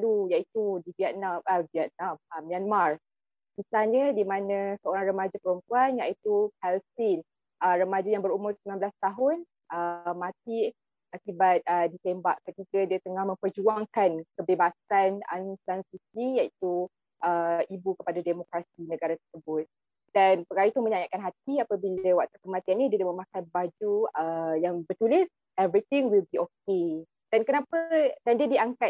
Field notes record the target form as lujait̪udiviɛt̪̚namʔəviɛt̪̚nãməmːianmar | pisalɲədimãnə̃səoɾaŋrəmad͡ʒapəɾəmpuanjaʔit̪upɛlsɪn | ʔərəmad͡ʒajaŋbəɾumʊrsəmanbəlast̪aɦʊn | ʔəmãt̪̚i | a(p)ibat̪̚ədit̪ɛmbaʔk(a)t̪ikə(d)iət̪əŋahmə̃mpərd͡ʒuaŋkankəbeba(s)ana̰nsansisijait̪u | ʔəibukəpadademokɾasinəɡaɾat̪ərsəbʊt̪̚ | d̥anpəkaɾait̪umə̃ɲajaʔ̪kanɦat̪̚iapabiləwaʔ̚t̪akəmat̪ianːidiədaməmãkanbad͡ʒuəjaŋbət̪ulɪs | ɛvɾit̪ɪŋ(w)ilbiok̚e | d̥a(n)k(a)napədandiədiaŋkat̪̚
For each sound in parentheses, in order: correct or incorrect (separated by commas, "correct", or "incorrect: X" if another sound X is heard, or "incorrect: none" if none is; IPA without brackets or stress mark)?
incorrect: k, incorrect: ə, correct, correct, correct, correct, incorrect: ə